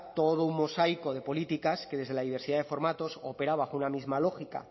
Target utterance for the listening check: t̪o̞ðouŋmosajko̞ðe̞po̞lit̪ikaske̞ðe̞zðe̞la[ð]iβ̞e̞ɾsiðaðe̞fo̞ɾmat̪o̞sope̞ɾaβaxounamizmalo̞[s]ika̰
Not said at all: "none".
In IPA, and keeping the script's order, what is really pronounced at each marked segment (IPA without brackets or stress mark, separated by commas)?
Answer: ð, x